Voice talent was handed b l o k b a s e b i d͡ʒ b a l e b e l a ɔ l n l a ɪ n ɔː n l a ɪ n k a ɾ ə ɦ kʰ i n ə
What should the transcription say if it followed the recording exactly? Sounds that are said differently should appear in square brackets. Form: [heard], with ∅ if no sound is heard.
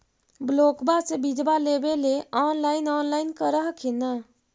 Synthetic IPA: b l o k b a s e b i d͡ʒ b a l e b e l [e] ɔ [∅] n l a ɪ n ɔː n l a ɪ n k [ə] ɾ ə ɦ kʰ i n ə

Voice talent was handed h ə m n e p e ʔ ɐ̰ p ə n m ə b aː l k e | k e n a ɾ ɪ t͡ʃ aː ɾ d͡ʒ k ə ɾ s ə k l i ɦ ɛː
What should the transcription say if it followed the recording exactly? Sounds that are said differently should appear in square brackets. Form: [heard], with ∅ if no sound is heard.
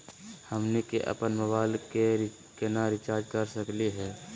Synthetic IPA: h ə m n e [k] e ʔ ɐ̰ p ə n m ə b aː l k e | k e n a ɾ ɪ t͡ʃ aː ɾ d͡ʒ k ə ɾ s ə k l i ɦ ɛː

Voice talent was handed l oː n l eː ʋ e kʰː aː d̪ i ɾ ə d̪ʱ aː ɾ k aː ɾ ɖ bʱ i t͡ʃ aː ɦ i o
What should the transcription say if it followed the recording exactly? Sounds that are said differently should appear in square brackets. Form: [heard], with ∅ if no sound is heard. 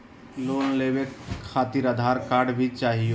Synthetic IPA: l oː n l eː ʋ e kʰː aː [t̪] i ɾ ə d̪ʱ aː ɾ k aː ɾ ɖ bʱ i t͡ʃ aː ɦ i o

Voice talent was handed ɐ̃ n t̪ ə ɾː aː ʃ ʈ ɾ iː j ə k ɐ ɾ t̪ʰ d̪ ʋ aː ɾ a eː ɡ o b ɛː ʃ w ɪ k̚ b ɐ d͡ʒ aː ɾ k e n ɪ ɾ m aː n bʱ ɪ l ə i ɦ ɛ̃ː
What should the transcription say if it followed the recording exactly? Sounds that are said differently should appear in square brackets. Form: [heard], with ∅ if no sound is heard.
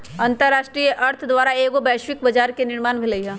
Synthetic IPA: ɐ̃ n t̪ ə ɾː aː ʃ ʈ ɾ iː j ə [ʔ] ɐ ɾ t̪ʰ d̪ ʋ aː ɾ a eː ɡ o b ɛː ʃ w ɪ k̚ b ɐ d͡ʒ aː ɾ k e n ɪ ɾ m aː n bʱ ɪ l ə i ɦ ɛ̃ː

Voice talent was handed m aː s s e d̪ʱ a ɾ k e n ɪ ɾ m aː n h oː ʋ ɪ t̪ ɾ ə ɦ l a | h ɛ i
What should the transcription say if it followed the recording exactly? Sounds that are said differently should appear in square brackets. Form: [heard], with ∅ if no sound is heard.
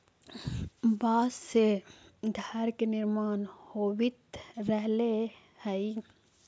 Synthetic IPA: [b] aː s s e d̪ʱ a ɾ k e n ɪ ɾ m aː n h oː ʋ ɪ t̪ ɾ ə ɦ l [e] | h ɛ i

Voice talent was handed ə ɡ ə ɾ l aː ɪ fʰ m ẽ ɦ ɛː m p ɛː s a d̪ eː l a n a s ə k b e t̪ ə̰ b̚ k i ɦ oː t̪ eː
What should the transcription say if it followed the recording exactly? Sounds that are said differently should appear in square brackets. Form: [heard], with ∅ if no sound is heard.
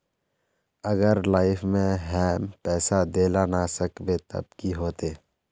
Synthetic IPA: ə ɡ ə ɾ l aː ɪ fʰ m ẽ ɦ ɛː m p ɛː s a d̪ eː l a n a s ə k b e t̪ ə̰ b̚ k i ɦ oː t̪ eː

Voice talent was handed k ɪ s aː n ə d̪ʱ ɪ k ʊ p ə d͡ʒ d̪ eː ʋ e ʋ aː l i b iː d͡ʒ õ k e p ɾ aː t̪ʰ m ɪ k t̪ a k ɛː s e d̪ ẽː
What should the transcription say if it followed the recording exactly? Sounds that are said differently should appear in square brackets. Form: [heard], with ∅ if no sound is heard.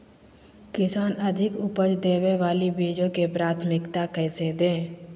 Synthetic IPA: k ɪ s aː n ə d̪ʱ ɪ k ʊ p ə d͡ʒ d̪ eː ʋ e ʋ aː l i b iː d͡ʒ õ k e p ɾ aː t̪ʰ m ɪ k t̪ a k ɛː s e d̪ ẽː

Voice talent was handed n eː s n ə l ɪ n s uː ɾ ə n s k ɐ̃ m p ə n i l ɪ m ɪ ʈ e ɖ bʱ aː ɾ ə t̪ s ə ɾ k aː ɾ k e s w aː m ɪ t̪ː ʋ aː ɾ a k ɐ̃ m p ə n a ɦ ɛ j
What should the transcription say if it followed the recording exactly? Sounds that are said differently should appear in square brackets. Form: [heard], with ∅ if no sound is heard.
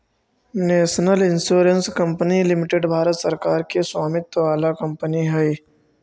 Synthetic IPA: n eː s n ə l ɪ n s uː ɾ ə n s k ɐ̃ m p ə n i l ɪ m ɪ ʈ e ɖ bʱ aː ɾ ə t̪ s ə ɾ k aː ɾ k e s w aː m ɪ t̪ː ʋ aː [l] a k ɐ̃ m p ə n [i] ɦ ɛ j

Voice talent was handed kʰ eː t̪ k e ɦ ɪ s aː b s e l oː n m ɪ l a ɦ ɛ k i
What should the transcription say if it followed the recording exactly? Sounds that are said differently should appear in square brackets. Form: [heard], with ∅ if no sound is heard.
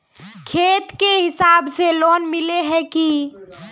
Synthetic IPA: kʰ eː t̪ k e ɦ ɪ s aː b s e l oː n m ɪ l [e] ɦ ɛ k i

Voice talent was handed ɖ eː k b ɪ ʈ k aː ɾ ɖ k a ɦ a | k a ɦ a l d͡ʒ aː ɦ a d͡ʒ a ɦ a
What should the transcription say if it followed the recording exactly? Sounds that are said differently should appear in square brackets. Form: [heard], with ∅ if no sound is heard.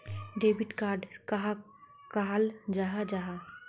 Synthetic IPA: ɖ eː [∅] b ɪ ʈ k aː ɾ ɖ k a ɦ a | k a ɦ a l d͡ʒ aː ɦ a d͡ʒ a ɦ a

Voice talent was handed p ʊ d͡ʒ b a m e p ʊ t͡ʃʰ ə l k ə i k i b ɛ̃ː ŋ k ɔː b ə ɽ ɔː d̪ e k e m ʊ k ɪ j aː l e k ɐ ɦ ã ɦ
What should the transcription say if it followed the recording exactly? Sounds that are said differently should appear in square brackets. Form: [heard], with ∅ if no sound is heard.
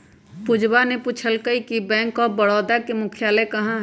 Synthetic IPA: p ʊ d͡ʒ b a [n] e p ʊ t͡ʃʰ ə l k ə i k i b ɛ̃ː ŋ k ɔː b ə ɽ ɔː d̪ [a] k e m ʊ [kʰ] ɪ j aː l e k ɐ ɦ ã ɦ

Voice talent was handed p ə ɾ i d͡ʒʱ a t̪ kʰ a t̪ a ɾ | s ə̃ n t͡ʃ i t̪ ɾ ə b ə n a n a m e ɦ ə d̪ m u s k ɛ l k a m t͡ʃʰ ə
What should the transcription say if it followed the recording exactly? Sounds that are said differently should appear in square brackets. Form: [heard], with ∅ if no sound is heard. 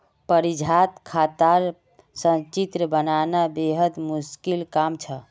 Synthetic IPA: p ə ɾ i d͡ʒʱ a t̪ kʰ a t̪ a ɾ | s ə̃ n t͡ʃ i t̪ ɾ ə b ə n a n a [b] e ɦ ə d̪ m u s k [i] l k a m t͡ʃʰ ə

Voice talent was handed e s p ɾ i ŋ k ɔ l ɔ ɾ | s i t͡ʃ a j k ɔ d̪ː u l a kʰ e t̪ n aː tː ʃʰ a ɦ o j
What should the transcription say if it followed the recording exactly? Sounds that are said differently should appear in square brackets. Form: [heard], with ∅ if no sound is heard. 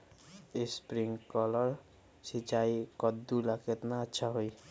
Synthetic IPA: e s p ɾ i ŋ k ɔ l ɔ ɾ | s i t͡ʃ a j k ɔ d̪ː u l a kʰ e t̪ n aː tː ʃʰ a ɦ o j

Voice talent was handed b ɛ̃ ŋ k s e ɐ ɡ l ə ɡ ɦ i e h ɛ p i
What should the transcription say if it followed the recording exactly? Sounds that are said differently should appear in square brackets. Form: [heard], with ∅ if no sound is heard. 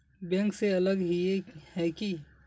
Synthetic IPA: b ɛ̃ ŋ k s e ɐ [∅] l ə ɡ ɦ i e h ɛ [k] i

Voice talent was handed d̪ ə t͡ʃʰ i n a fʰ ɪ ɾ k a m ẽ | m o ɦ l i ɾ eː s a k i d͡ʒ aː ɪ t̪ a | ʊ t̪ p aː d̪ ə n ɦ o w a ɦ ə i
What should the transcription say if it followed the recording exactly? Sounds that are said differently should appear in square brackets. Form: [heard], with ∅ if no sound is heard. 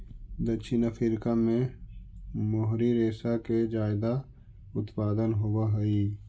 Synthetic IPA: d̪ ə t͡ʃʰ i n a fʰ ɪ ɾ k a m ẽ | m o ɦ [ɾ] i ɾ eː s a k [e] d͡ʒ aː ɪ [d̪] a | ʊ t̪ p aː d̪ ə n ɦ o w a ɦ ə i

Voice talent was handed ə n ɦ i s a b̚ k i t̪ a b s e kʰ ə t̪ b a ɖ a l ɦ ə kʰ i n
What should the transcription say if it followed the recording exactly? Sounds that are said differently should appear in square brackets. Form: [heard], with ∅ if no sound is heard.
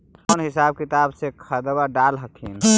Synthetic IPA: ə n ɦ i s a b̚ k i t̪ a b s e kʰ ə [d̪] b a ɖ a l ɦ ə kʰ i n

